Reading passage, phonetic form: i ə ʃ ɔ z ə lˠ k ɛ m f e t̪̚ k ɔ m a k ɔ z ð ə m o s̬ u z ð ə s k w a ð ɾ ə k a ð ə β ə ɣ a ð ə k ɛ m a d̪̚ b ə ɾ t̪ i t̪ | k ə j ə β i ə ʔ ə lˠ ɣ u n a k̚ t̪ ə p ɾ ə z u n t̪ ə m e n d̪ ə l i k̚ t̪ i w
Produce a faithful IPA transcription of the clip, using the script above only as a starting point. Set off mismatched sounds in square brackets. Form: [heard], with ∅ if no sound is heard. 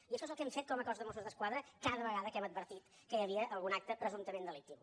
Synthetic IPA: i ə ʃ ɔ z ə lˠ k ɛ m f e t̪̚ k ɔ m [ə] k ɔ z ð ə m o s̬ u z ð ə s k w a ð ɾ ə k a ð ə β ə ɣ a ð ə k ɛ m [ə] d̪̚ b ə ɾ t̪ i t̪ | k ə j ə β i ə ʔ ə lˠ ɣ u n a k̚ t̪ ə p ɾ ə z u n t̪ ə m e n d̪ ə l i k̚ t̪ i w

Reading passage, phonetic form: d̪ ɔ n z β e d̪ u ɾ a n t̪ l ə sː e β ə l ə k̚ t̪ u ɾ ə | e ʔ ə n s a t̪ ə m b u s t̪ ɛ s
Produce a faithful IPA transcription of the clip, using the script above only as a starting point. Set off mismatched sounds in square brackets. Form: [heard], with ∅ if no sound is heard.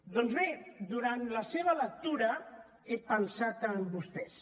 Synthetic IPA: d̪ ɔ n z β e d̪ u ɾ a n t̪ l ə [s] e β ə l ə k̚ t̪ u ɾ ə | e [p] ə n s a t̪ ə m b u s t̪ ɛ s

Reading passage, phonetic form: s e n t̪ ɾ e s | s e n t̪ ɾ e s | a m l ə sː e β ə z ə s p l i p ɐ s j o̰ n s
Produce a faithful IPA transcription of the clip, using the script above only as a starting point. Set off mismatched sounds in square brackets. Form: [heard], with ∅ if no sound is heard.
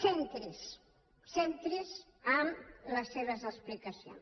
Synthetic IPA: s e n t̪ ɾ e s | s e n t̪ ɾ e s | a m l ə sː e β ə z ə s p l i [k] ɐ s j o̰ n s

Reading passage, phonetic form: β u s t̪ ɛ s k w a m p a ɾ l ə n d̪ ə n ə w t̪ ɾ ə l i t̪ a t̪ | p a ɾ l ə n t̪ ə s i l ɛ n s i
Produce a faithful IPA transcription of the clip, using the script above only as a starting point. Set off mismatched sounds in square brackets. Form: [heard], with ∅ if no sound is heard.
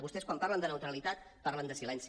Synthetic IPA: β u s t̪ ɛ s k w a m p a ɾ l ə n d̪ ə n ə w t̪ ɾ ə l i t̪ a t̪ | p a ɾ l ə n [d̪] ə s i l ɛ n s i

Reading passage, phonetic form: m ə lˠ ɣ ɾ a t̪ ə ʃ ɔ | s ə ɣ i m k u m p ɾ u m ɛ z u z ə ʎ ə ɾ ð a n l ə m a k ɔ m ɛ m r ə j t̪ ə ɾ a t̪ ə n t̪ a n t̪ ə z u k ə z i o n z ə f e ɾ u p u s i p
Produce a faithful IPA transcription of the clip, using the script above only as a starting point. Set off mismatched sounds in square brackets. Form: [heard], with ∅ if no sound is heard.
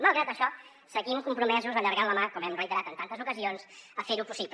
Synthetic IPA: m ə lˠ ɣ ɾ a t̪ ə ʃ ɔ | s ə ɣ i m k u m p ɾ u m ɛ z u z ə ʎ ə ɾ [ɣ] a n l ə m a k ɔ m ɛ m r ə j t̪ ə ɾ a t̪ ə n t̪ a n t̪ ə z u k ə z i o n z ə f e ɾ u p u s i p

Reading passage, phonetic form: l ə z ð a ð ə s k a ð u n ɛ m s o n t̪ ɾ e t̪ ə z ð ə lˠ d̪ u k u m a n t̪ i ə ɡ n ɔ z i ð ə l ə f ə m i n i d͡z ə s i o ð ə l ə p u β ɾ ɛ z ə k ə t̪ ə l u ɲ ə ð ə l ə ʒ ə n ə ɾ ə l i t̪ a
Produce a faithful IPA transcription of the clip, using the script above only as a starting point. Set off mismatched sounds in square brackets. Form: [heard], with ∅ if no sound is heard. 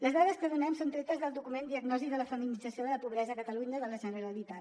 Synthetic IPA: l ə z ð a ð ə s k [ə] ð u n ɛ m s o n t̪ ɾ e t̪ ə z ð ə lˠ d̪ u k u m [e] n [d̪] i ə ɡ n ɔ z i ð ə l ə f ə m i n i d͡z ə s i o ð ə l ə p u β ɾ ɛ z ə k ə t̪ ə l u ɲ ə ð ə l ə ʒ ə n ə ɾ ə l i t̪ a

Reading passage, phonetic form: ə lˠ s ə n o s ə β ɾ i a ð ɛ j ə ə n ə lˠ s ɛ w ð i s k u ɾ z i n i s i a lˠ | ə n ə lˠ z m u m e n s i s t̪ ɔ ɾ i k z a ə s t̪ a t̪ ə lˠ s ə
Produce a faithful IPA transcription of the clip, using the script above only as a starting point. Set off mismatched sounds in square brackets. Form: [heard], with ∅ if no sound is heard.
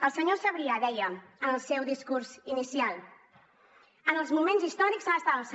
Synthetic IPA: ə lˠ s ə [ɲ] o s ə β ɾ i a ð ɛ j ə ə n ə lˠ s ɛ w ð i s k u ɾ z i n i s i a lˠ | ə n ə lˠ z m u m e n [z] i s t̪ ɔ ɾ i k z a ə s t̪ a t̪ ə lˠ s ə

